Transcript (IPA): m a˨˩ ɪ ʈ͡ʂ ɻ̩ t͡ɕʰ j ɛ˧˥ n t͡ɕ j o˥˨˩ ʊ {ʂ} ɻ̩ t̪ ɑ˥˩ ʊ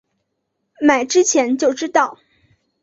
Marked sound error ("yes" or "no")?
yes